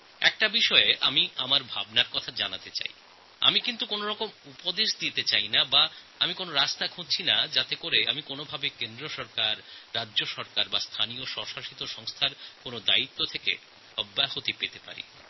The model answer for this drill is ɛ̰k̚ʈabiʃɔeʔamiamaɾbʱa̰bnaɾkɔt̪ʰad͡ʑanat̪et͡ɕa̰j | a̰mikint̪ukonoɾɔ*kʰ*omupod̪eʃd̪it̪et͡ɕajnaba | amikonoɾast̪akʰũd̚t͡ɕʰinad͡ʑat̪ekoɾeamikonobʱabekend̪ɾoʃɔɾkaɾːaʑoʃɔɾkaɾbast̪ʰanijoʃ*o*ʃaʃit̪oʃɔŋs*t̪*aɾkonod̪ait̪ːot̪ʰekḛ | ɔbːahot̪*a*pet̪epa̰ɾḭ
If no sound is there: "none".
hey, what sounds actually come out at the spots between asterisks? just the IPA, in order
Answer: k, ɔ, t̪ʰ, i

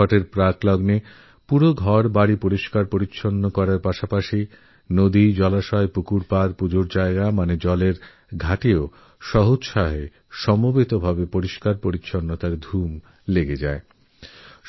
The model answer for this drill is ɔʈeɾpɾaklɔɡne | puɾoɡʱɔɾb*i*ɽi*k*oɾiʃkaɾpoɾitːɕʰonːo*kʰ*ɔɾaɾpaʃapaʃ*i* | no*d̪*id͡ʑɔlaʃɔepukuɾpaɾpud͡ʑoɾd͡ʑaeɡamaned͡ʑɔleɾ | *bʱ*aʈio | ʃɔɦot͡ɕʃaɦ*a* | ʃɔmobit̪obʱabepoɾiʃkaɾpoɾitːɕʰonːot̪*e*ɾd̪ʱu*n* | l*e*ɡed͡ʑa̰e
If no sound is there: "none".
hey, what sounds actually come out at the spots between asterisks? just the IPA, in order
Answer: a, p, k, i, d̪, ɡʱ, e, a, m, e

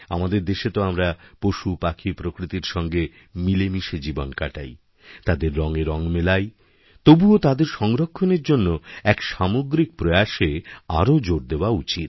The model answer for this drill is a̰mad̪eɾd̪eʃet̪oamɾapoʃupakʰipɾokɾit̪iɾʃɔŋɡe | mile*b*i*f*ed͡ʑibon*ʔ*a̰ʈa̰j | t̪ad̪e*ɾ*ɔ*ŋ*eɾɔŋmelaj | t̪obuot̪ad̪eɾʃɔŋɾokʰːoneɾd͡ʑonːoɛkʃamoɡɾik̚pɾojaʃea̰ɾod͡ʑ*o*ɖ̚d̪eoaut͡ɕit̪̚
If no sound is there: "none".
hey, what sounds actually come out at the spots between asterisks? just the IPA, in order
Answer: m, ʃ, k, ɾː, ŋ, o

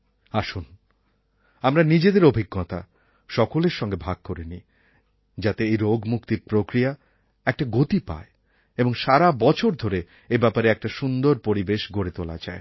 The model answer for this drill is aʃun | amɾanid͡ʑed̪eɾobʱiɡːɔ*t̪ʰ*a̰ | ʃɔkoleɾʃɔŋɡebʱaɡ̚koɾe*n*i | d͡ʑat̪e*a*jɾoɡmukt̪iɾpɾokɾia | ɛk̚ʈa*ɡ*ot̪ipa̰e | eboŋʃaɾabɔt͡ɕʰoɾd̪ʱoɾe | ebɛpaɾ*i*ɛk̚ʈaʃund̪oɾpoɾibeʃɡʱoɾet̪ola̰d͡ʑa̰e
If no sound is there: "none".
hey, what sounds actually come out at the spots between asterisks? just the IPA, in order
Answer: t̪, n, e, ɡ, e

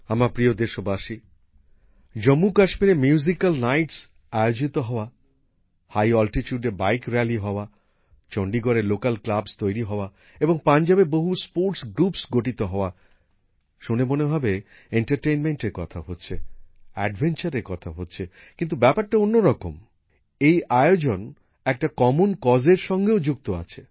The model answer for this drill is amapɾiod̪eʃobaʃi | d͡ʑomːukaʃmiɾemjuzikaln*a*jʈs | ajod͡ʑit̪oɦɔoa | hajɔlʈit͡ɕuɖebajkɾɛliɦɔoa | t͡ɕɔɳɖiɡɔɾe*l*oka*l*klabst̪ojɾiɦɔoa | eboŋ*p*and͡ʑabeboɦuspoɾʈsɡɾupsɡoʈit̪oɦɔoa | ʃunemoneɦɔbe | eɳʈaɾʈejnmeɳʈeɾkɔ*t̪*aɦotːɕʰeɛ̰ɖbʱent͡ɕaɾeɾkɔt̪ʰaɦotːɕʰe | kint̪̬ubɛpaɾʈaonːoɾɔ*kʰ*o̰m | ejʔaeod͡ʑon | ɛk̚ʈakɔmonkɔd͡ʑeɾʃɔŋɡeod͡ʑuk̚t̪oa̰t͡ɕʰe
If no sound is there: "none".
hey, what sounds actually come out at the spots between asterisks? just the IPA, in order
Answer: a, l, l, p, t̪ʰ, k

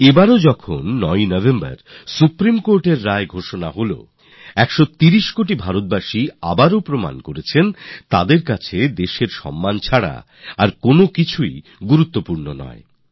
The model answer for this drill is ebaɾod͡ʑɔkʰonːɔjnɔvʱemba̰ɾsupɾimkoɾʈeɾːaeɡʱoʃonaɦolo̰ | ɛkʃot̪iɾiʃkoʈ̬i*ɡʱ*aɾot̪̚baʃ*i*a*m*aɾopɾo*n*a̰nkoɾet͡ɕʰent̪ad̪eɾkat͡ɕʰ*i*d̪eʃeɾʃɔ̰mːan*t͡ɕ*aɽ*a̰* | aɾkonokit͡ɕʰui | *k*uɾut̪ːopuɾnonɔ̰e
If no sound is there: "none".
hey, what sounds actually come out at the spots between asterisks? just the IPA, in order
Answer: bʱ, i, b, m, e, t͡ɕʰ, a̰, ɡ

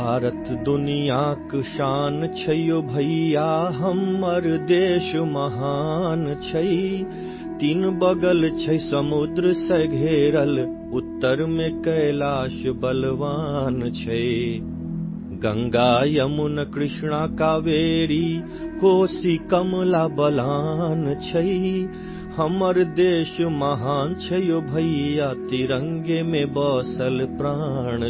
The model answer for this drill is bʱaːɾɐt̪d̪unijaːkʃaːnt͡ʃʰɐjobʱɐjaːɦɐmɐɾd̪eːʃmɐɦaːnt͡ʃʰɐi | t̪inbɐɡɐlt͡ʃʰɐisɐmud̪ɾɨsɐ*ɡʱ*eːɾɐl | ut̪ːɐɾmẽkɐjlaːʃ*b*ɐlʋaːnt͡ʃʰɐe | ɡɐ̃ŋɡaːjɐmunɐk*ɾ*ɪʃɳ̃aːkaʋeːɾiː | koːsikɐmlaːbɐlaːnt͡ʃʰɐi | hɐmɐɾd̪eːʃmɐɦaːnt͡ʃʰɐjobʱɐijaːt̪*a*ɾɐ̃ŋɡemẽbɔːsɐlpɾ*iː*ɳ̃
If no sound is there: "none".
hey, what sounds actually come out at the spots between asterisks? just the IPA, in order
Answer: ɡʱ, b, ɾ, i, aː

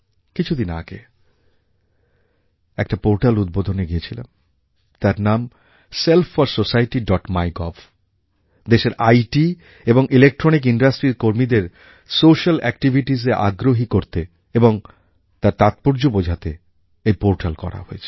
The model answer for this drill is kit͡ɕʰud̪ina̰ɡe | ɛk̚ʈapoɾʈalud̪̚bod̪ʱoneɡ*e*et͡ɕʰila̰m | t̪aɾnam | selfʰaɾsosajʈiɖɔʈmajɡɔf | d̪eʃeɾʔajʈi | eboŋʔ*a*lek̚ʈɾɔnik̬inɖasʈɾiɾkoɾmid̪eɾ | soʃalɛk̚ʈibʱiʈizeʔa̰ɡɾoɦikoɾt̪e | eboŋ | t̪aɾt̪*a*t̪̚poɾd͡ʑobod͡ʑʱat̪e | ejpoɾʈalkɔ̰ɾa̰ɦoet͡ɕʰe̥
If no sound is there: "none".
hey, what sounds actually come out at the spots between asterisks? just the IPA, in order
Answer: i, i, a

